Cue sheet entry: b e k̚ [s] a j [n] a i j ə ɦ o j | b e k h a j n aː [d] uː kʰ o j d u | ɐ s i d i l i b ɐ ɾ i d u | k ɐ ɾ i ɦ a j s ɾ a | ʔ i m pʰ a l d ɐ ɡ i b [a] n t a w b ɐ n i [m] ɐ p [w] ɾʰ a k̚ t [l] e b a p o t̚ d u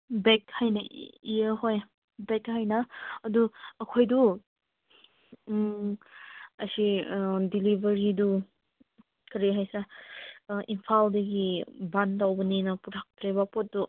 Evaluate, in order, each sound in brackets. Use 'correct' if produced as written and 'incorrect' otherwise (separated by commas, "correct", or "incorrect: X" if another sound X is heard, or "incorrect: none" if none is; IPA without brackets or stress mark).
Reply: incorrect: h, correct, correct, correct, incorrect: n, incorrect: u, incorrect: ɾ